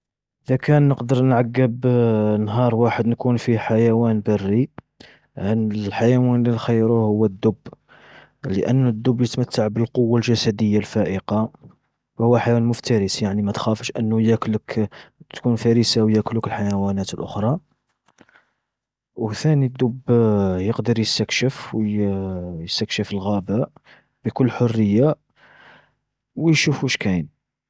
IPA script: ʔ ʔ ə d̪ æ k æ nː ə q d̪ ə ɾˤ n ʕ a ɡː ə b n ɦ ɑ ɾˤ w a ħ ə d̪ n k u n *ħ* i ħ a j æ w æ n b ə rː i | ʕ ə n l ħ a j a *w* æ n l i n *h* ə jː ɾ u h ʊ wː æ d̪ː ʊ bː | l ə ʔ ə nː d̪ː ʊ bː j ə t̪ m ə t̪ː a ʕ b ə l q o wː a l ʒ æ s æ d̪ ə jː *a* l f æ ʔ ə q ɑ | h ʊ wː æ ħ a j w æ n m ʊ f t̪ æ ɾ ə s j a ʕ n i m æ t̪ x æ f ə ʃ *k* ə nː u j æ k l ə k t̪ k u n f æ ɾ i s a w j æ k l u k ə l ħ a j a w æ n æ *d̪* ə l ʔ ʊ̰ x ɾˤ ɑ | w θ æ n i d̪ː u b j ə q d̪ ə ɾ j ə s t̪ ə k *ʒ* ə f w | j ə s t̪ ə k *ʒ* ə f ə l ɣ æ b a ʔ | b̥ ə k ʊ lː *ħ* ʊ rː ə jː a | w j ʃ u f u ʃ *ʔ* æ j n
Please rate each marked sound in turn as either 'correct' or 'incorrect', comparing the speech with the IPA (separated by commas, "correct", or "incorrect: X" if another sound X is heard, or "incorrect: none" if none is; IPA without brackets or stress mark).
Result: incorrect: f, correct, incorrect: x, correct, incorrect: ʔ, incorrect: t̪, incorrect: ʃ, incorrect: ʃ, correct, incorrect: k